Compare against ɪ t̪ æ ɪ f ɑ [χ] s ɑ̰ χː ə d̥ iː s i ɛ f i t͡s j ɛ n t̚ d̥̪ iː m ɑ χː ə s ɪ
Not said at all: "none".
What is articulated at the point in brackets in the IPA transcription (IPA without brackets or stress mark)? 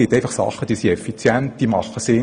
χ